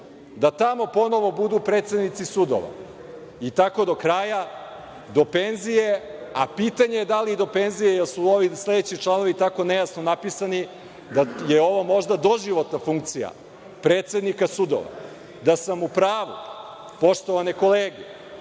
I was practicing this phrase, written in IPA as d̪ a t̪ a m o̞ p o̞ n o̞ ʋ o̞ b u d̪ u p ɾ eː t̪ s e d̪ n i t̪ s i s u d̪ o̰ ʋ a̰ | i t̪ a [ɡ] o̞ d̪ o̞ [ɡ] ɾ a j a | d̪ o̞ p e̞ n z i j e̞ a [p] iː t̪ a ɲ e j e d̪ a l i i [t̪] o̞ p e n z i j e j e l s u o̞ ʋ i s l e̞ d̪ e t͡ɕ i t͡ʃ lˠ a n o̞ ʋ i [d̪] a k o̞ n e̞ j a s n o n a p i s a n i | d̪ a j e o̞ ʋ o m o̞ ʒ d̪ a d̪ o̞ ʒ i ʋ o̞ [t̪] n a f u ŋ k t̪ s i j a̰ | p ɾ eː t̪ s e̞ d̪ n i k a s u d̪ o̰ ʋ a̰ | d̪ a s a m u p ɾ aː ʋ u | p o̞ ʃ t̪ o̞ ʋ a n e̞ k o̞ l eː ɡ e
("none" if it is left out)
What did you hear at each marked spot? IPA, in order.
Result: k, k, p, d̪, t̪, t̪

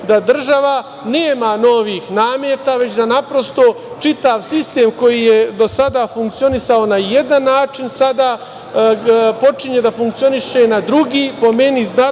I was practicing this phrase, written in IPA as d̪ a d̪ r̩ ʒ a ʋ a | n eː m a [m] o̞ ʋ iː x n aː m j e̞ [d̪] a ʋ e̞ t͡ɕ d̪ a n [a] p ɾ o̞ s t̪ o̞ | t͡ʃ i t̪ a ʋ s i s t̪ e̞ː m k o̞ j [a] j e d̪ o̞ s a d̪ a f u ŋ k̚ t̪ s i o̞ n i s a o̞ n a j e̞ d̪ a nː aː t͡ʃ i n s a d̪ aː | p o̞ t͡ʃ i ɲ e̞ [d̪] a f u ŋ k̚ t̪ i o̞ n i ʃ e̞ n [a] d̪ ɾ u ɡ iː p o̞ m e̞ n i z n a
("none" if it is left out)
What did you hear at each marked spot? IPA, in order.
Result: n, t̪, a, i, d̪, a

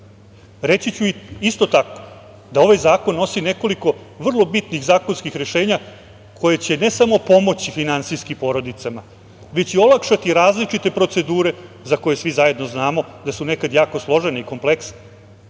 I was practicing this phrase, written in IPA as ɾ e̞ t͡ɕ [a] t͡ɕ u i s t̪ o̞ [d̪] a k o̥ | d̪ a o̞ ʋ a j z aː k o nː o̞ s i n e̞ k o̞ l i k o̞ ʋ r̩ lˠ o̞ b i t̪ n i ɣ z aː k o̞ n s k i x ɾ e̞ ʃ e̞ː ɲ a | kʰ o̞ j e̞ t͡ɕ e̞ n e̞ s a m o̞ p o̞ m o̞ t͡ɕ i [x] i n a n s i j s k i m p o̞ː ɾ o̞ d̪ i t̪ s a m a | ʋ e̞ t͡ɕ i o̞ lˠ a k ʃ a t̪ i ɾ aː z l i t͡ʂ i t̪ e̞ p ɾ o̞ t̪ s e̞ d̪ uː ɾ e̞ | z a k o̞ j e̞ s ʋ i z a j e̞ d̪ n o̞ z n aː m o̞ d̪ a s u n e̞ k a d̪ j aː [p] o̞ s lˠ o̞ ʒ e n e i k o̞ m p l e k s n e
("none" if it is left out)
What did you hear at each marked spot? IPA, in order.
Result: i, t̪, f, k

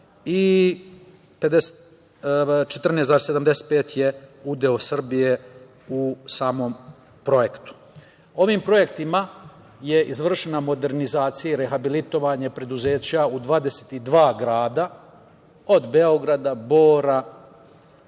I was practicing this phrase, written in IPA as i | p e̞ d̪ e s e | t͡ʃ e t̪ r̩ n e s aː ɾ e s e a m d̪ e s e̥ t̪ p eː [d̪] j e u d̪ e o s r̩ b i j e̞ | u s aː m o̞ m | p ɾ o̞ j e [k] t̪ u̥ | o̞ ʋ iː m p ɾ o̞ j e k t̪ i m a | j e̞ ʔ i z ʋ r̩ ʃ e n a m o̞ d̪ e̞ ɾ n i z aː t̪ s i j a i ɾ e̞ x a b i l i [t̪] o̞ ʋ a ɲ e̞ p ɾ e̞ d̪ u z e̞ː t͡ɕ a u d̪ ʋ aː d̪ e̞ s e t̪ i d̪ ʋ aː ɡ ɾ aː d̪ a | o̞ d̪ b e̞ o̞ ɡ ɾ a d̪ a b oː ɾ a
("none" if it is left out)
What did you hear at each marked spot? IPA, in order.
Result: t̪, k, t̪

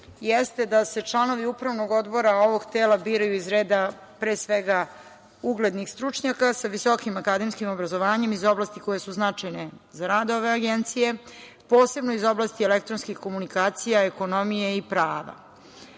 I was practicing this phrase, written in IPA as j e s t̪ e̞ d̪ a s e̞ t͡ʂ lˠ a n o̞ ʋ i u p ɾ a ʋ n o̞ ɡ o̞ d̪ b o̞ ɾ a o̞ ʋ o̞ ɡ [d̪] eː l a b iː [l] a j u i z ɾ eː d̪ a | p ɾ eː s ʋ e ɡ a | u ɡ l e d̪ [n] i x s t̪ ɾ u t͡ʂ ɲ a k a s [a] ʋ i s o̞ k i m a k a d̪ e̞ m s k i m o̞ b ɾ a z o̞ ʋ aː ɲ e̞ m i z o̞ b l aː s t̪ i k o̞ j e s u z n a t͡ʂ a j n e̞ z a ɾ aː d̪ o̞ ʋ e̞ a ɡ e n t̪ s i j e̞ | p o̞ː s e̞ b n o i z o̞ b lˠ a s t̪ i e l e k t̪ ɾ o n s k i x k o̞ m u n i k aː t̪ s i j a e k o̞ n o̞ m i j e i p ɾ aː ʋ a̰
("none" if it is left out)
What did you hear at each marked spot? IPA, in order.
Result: t̪, ɾ, n, a

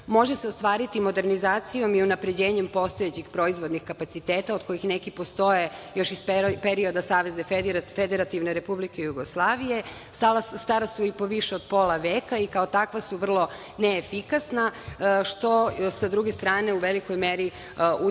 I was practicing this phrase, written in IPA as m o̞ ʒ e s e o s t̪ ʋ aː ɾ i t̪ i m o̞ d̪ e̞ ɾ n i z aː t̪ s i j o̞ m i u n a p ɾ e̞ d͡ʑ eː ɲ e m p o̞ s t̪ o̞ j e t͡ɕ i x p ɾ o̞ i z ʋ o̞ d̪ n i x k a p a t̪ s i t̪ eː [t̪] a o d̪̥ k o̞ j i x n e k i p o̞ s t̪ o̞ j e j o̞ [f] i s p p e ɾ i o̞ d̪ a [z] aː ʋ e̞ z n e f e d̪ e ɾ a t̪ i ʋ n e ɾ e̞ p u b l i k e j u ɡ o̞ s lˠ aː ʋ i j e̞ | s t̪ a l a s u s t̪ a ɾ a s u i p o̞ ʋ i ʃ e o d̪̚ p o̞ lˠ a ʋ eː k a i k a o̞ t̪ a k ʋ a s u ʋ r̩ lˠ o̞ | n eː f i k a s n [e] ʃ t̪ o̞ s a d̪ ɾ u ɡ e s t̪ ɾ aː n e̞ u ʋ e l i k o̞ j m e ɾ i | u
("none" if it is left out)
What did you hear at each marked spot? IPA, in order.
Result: t̪, ʃ, s, a

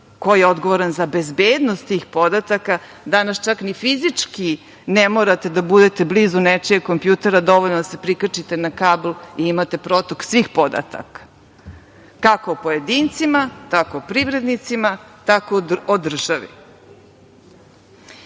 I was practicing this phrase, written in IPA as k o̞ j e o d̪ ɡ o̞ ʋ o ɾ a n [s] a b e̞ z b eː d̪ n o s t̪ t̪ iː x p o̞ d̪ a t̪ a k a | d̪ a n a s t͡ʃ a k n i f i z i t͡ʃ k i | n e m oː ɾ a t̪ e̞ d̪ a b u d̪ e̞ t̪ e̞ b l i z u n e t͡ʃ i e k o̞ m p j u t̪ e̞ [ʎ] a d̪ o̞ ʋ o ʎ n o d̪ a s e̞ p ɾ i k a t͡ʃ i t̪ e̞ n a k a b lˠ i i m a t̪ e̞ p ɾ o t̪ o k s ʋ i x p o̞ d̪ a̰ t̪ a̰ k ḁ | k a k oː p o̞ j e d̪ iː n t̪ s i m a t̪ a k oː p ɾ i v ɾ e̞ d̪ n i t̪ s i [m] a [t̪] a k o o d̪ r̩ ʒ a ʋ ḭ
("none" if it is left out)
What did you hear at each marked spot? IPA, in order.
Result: z, ɾ, m, t̪

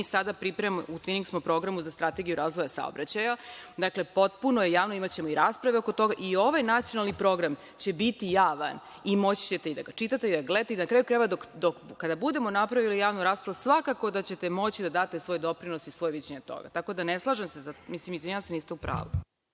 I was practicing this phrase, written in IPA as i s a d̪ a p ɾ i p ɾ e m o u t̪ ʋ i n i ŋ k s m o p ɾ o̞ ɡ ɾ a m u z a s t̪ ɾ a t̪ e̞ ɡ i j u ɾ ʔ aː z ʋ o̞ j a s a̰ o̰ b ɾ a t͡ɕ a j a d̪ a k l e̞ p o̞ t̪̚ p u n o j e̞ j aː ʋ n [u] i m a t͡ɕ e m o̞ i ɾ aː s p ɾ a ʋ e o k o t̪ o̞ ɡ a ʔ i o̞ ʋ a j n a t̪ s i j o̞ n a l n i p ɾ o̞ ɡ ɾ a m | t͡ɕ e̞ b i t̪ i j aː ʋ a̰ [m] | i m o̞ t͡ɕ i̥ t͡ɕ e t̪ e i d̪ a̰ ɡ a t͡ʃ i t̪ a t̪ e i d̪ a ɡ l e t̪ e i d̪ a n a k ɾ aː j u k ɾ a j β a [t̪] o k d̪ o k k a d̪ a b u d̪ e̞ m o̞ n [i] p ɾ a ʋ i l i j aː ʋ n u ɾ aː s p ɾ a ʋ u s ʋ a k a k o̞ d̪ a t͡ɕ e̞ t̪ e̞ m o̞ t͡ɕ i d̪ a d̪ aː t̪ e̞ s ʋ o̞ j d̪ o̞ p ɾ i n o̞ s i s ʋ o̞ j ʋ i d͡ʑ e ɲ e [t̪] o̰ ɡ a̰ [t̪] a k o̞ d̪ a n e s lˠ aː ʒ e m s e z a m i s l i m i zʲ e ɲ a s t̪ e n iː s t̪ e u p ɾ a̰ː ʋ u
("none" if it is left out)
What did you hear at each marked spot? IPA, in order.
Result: o, n, d̪, a, t̪, t̪

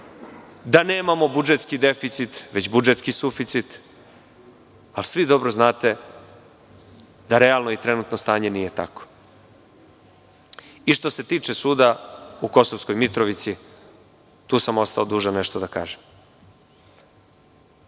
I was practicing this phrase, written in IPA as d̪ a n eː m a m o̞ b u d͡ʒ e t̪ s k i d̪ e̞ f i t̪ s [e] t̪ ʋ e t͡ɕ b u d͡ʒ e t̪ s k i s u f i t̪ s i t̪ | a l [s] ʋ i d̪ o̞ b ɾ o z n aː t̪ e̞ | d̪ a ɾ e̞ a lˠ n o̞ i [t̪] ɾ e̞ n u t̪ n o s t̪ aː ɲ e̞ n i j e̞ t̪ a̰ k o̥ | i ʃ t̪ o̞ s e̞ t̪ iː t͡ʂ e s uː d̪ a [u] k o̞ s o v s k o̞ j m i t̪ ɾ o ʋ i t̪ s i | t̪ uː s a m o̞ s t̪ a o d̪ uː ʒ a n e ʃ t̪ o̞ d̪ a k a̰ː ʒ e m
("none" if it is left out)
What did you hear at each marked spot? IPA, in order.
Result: i, s, t̪, u

